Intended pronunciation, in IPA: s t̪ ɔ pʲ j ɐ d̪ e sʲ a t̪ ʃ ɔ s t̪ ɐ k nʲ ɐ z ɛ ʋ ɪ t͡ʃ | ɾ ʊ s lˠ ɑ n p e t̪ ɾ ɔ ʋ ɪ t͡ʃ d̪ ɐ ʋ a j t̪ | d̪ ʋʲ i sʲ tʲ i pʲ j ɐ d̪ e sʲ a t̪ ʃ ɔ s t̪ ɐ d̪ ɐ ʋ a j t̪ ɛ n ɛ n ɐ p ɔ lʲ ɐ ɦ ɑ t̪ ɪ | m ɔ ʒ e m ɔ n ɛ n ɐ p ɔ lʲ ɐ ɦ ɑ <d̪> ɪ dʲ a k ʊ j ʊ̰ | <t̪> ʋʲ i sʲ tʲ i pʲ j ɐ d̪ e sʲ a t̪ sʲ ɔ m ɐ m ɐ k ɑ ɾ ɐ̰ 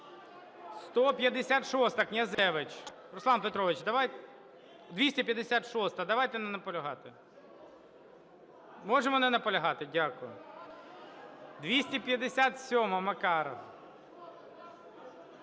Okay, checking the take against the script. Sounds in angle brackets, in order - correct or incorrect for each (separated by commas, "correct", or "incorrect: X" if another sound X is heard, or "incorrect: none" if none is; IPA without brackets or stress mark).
incorrect: t̪, incorrect: d̪